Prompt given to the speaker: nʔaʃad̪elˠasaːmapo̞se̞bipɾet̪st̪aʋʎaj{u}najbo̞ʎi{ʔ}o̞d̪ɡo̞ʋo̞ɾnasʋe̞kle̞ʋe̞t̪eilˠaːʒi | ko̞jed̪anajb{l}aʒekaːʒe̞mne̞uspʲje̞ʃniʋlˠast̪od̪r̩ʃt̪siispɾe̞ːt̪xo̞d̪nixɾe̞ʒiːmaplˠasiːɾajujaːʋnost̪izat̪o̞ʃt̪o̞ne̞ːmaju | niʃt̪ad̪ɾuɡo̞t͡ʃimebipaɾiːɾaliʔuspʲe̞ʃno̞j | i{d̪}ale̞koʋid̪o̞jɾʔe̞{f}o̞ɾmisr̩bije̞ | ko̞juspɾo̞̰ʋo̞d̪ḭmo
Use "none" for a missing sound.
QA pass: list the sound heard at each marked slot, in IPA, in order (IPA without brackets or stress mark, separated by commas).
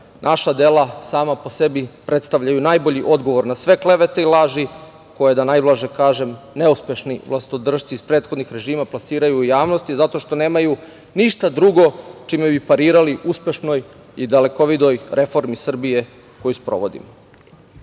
u, ʔ, l, d̪, f